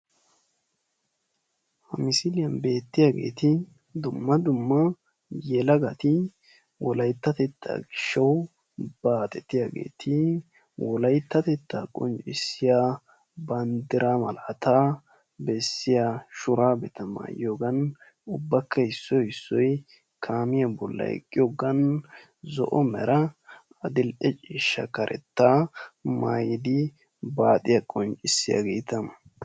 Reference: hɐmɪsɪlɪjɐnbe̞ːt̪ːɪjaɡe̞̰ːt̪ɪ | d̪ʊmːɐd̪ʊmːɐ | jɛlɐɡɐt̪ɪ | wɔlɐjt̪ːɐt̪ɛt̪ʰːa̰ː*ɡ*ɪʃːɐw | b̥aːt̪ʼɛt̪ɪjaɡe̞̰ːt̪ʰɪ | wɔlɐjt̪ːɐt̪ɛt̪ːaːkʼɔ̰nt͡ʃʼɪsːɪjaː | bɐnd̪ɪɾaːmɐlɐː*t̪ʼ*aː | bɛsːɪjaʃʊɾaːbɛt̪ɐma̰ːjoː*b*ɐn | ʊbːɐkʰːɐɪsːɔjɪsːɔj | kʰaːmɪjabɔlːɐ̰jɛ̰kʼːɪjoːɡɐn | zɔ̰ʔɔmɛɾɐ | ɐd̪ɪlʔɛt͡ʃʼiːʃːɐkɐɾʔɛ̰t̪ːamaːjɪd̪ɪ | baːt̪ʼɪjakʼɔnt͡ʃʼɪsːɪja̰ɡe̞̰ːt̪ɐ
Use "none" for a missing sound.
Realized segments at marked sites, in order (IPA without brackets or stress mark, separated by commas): ɡ, t̪, ɡ